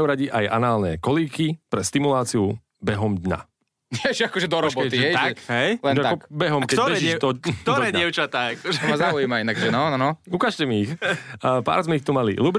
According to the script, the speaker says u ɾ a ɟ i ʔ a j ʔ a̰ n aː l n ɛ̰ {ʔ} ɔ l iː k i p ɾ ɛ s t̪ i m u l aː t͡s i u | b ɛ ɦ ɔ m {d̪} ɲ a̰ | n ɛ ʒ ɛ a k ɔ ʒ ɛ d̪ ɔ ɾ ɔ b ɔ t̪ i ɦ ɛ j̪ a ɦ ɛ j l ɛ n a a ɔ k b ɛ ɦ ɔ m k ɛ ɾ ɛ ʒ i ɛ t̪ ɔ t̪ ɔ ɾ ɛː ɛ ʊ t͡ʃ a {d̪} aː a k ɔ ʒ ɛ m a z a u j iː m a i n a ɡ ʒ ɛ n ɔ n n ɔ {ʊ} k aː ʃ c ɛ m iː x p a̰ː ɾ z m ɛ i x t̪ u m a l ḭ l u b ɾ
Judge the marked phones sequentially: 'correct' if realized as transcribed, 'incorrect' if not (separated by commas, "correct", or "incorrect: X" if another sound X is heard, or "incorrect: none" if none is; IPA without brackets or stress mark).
incorrect: k, correct, incorrect: t̪, incorrect: u